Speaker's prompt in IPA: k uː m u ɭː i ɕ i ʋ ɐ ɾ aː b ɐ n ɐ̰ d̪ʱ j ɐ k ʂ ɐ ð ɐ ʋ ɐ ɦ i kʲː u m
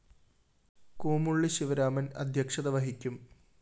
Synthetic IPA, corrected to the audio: k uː m u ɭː i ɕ i ʋ ɐ ɾ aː m ɐ n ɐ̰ d̪ʱ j ɐ k ʂ ɐ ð ɐ ʋ ɐ ɦ i kʲː u m